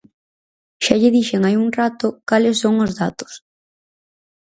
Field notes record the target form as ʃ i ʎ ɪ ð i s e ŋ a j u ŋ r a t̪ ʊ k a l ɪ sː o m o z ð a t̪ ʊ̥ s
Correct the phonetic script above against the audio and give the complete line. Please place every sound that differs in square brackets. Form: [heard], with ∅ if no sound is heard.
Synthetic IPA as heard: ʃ [a] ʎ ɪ ð i [ʃ] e ŋ a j u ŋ r a t̪ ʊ k a l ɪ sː o [ŋ] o z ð a t̪ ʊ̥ s

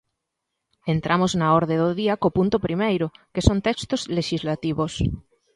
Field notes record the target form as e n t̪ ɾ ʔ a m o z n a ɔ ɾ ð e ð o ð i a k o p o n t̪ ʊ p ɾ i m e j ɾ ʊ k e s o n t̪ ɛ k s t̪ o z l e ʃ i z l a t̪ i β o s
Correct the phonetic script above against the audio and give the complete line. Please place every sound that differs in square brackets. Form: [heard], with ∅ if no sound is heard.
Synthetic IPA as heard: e n t̪ ɾ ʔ a m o z n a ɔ ɾ ð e ð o ð i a k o p [u] n t̪ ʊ p ɾ i m e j ɾ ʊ k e s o n t̪ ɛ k s t̪ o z l e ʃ i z l a t̪ i β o s

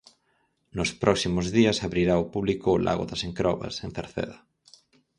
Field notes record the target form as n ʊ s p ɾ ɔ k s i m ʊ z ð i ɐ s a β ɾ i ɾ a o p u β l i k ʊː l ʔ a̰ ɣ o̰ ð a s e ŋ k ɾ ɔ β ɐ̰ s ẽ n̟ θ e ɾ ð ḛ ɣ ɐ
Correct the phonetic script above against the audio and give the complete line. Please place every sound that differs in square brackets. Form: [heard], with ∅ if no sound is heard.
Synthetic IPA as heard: n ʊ s p ɾ ɔ k s i m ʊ z ð i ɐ s a β ɾ i ɾ a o p u β l i k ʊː l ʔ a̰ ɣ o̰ ð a s e ŋ k ɾ ɔ β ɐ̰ s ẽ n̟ θ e ɾ [θ] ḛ [ð] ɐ

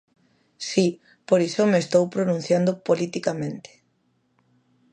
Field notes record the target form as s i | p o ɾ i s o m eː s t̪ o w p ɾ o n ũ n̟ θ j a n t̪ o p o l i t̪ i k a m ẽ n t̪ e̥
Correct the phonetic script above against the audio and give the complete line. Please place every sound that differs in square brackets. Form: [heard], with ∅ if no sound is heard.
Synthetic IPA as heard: s i | p o ɾ i s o m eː s t̪ o w p ɾ o n ũ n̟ θ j a n [d̪] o p o l i t̪ i k a m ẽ n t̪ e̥

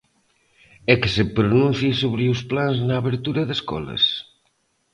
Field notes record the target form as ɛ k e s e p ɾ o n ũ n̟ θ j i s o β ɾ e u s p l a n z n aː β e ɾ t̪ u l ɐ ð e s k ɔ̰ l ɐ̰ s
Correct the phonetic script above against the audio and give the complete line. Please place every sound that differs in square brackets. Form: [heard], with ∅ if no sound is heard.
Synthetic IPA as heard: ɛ k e s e p ɾ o n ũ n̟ θ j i s o β ɾ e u s p l a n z n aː β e ɾ t̪ u [ɾ] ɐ ð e s k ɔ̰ l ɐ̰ s

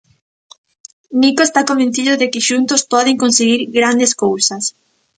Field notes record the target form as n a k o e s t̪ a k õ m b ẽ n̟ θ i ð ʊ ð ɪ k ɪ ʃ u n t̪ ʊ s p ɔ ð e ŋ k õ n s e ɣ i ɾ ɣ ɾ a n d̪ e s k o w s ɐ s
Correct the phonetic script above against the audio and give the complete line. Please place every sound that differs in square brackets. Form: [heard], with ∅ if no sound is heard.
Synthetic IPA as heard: n [i] k o e s t̪ a k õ m b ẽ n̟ θ i ð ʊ ð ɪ k ɪ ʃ u n t̪ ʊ s p ɔ ð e ŋ k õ n s e ɣ i ɾ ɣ ɾ a n d̪ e s k o w s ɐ s

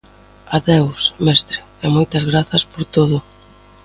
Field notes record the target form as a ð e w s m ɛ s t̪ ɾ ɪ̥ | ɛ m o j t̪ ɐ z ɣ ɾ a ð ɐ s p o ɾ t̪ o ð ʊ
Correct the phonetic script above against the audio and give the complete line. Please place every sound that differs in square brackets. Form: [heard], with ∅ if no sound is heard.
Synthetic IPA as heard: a ð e w s m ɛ s t̪ ɾ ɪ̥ | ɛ m o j t̪ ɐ z ɣ ɾ a [θ] ɐ s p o ɾ t̪ o ð ʊ

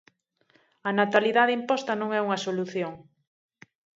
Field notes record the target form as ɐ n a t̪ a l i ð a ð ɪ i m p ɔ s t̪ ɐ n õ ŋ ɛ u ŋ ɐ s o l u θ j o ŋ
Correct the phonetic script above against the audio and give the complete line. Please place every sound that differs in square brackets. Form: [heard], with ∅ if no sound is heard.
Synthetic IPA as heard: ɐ n a t̪ a l i ð a ð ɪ i m p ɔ s t̪ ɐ n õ ŋ ɛ u ŋ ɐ s o l u θ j o ŋ

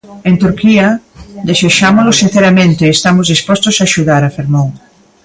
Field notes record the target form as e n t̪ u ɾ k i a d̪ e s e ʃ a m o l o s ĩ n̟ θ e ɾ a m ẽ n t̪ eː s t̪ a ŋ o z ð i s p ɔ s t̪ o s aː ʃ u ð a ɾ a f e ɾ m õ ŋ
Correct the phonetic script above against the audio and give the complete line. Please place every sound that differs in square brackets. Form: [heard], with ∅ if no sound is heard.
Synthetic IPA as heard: e n t̪ u ɾ k i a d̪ e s e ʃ a m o l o s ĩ n̟ θ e ɾ a m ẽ n t̪ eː s t̪ a [m] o z ð i s p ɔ s t̪ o s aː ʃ u ð a ɾ a f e ɾ m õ ŋ

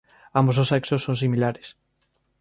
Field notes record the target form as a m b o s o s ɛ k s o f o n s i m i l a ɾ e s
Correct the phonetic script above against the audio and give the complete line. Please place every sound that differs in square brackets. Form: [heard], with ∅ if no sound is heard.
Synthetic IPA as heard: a m b o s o s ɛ k s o [s] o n s i m i l a ɾ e s

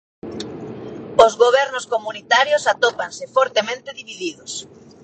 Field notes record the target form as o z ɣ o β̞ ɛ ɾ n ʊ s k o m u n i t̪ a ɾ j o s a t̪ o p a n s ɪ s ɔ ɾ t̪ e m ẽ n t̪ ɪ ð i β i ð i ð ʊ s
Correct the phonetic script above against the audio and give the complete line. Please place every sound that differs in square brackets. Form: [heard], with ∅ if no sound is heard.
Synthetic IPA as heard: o z ɣ o β̞ ɛ ɾ n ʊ s k o m u n i t̪ a ɾ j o s a t̪ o p a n s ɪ [f] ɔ ɾ t̪ e m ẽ n t̪ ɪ ð i β i ð i ð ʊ s

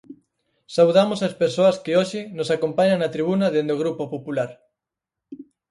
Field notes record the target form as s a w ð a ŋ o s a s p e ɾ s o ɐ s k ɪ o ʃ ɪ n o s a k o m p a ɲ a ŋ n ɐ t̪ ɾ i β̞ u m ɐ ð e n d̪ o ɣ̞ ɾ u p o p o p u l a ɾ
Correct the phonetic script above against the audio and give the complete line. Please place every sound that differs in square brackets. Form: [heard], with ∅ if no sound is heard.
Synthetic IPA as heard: s a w ð a [m] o s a s p e ɾ s o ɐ s k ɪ o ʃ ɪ n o s a k o m p a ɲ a ŋ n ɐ t̪ ɾ i β̞ u [n] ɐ ð e n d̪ o ɣ̞ ɾ u p o p o p u l a ɾ

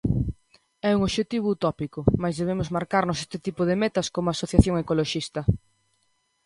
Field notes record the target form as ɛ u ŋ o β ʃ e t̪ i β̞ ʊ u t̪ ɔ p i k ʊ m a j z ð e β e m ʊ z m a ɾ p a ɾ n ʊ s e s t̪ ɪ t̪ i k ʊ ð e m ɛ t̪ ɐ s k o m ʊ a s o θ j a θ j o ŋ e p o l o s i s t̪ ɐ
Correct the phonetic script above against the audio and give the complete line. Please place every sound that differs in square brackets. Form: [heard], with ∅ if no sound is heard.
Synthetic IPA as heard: ɛ u ŋ o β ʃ e t̪ i β̞ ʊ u t̪ ɔ p i k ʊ m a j z ð e β e m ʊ z m a ɾ [k] a ɾ n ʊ s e s t̪ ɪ t̪ i [p] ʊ ð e m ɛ t̪ ɐ s k o m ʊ a s o θ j a θ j o ŋ e [k] o l o [ʃ] i s t̪ ɐ

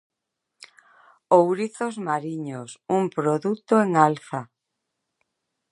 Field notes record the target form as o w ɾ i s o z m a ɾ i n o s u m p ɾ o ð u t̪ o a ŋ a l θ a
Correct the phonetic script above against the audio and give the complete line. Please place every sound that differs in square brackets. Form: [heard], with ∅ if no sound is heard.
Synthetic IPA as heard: o w ɾ i [θ] o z m a ɾ i [ɲ] o s u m p ɾ o ð u t̪ o [e] ŋ a l θ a

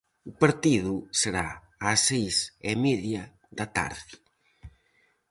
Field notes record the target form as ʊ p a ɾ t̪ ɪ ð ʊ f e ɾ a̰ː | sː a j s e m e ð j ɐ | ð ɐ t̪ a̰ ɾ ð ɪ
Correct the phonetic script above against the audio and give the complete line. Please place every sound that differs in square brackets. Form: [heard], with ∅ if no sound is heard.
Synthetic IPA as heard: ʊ p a ɾ t̪ [i] ð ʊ [s] e ɾ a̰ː | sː [e] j s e m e ð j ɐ | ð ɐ t̪ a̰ ɾ ð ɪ

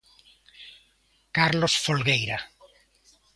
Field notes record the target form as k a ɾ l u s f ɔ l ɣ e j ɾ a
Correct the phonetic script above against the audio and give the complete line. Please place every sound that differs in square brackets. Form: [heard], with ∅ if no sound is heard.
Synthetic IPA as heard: k a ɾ l [o] s f [o] l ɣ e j ɾ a

